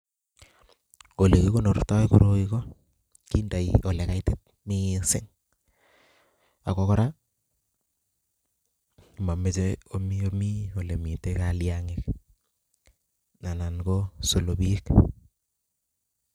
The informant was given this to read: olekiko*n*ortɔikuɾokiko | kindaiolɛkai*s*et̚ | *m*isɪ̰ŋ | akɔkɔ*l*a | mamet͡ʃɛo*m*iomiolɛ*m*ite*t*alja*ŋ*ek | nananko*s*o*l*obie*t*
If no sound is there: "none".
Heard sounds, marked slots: n, t, m, ɾ, m, m, k, ŋ, s, l, k

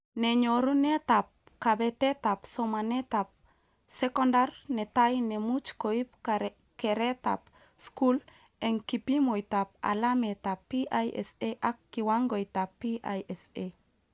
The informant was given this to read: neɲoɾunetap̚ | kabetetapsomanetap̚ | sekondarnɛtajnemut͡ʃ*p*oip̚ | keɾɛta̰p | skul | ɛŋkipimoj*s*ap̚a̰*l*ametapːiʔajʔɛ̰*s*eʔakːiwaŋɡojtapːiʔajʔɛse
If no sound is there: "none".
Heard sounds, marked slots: k, t, l, s

